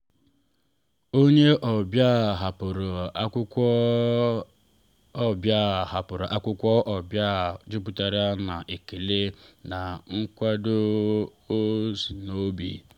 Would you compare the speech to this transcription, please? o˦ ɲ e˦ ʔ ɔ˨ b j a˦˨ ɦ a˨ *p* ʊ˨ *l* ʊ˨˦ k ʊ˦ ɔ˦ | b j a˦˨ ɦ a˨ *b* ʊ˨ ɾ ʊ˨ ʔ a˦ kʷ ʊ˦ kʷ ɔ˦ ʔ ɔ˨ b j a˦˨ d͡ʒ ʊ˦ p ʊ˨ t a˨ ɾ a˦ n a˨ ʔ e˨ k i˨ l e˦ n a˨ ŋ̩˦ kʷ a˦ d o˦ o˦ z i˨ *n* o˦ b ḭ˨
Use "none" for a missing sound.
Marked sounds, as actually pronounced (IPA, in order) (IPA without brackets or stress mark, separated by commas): p, ɾ, p, n